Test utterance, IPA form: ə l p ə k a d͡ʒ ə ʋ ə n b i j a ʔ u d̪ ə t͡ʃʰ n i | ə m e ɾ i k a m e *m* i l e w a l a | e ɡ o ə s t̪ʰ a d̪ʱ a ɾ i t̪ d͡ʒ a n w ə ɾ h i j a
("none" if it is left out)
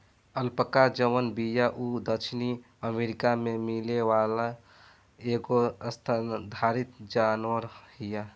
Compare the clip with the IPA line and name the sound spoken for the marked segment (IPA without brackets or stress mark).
m